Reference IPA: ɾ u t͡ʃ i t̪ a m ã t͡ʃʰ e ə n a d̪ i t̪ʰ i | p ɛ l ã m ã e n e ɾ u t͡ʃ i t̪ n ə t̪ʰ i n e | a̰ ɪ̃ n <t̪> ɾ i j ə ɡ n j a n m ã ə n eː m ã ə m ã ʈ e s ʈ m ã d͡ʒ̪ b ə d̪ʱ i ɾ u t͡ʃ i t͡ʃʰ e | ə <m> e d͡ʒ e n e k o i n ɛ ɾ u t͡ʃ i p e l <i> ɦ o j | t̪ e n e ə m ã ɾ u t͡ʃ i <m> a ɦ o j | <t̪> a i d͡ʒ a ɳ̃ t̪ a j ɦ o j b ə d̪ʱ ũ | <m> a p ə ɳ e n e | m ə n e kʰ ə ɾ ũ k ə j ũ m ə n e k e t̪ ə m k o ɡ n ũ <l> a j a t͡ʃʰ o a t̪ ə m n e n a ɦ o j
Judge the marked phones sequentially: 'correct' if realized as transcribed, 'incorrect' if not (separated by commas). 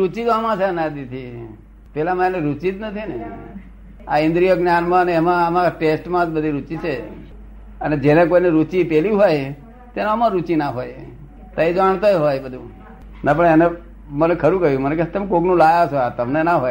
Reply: incorrect, incorrect, correct, incorrect, correct, incorrect, correct